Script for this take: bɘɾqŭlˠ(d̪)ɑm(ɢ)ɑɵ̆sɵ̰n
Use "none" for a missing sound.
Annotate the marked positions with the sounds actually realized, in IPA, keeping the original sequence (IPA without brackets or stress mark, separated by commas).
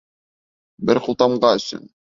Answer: t̪, ɢ